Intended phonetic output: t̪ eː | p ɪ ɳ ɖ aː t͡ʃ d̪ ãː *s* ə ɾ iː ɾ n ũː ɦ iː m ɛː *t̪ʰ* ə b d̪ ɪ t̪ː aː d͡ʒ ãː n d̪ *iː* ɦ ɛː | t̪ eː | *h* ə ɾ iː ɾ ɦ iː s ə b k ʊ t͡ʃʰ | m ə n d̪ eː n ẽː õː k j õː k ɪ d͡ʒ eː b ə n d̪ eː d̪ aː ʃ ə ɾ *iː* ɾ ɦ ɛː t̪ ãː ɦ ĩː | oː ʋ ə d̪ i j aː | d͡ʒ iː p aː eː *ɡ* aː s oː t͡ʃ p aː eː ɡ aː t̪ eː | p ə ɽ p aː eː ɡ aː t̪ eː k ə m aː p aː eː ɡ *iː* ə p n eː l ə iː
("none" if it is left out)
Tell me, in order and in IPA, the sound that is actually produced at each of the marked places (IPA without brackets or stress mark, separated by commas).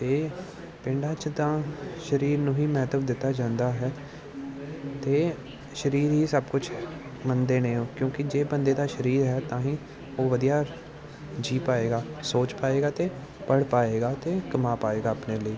ʃ, t̪, aː, ʃ, iː, ɡ, aː